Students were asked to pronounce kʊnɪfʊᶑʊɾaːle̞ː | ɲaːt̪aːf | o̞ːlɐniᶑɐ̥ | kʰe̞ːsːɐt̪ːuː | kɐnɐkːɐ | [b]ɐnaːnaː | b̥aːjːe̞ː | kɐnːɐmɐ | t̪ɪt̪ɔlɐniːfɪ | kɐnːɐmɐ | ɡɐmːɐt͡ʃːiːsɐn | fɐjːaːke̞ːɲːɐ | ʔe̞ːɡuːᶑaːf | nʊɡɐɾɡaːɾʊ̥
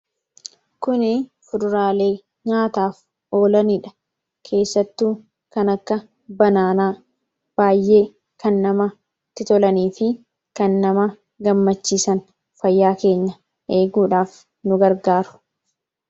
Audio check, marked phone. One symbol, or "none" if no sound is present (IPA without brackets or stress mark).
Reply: b